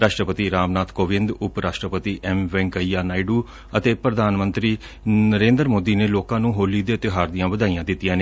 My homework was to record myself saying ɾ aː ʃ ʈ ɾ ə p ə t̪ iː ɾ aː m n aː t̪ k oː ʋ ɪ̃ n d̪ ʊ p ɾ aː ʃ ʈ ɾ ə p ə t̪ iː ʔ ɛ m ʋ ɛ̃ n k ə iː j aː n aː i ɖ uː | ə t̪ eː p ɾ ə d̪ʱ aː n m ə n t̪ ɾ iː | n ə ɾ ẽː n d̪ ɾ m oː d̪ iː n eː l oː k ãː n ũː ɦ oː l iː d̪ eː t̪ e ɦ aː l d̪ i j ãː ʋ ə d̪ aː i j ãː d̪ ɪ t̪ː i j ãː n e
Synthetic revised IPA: ɾ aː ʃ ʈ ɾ ə p ə t̪ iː ɾ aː m n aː t̪ k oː ʋ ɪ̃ n d̪ ʊ p ɾ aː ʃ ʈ ɾ ə p ə t̪ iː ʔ ɛ m ʋ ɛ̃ ŋ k ə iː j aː n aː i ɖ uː | ə t̪ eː p ɾ ə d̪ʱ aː n m ə n t̪ ɾ iː | n ə ɾ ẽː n d̪ ɾ m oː d̪ iː n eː l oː k ãː n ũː ɦ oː l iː d̪ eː t̪ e ɦ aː ɾ d̪ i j ãː ʋ ə d̪ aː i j ãː d̪ ɪ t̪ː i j ãː n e